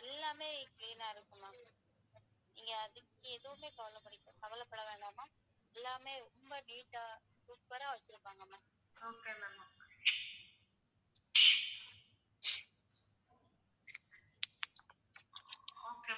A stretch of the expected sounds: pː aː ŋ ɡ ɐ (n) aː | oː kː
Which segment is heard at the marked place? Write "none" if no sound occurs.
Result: m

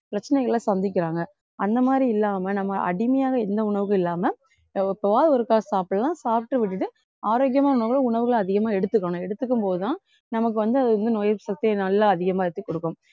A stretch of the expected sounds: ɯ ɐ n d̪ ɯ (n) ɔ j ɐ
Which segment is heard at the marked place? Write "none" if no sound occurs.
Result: n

